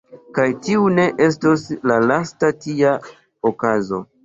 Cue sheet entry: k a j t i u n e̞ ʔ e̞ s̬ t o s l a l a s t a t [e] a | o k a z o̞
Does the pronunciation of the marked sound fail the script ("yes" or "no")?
yes